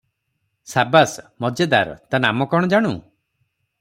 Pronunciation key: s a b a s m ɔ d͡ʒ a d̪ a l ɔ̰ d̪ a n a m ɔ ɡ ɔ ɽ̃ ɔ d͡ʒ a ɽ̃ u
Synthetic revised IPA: s a b a s m ɔ d͡ʒ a d̪ a ɾ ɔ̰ t̪ a n a m ɔ k ɔ ɽ̃ ɔ d͡ʒ a ɽ̃ u